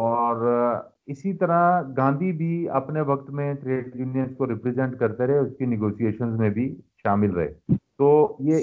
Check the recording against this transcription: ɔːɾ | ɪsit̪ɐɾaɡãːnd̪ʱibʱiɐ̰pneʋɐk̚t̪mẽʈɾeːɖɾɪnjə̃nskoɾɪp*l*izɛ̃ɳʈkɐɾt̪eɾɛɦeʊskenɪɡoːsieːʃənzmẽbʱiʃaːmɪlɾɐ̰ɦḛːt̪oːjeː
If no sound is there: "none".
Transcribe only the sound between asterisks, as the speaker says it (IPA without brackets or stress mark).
ɾ